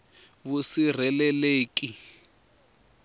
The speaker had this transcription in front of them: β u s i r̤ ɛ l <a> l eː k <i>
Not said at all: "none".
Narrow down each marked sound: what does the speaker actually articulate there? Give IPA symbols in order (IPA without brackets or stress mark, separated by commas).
ɛ, i